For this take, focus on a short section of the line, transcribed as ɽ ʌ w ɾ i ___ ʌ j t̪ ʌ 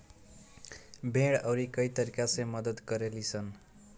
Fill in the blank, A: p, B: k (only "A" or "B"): B